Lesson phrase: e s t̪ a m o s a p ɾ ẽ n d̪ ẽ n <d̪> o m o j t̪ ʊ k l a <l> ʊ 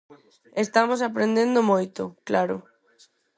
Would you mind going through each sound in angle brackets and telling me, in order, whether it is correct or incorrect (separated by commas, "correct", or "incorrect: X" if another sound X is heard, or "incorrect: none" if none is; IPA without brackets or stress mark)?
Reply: correct, incorrect: ɾ